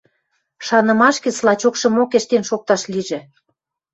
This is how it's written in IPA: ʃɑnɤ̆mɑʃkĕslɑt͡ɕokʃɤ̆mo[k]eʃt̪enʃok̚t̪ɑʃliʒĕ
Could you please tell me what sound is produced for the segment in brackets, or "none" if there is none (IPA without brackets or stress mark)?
k